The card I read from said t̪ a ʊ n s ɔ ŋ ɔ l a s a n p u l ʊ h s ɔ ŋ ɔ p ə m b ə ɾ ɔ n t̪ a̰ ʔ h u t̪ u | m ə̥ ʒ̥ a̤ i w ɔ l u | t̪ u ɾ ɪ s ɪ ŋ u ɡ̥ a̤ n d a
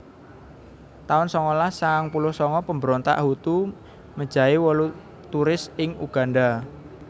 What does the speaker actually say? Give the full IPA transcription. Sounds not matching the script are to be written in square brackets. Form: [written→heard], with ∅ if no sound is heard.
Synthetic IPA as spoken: t̪ a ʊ n s ɔ ŋ ɔ l a s a [n→ŋ] p u l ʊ h s ɔ ŋ ɔ p ə m b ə ɾ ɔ n t̪ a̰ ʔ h u t̪ u | m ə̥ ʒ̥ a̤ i w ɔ l u | t̪ u ɾ ɪ s ɪ ŋ u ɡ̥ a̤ n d a